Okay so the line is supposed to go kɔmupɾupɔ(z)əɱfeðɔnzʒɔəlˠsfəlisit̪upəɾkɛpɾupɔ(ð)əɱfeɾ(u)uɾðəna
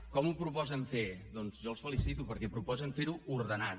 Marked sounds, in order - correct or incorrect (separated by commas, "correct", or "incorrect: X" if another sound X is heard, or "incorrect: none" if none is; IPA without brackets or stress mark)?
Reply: correct, incorrect: z, correct